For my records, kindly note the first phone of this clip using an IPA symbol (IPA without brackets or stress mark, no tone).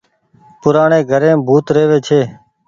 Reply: p